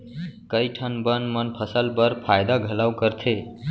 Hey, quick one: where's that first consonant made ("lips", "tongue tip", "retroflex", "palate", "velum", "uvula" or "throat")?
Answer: velum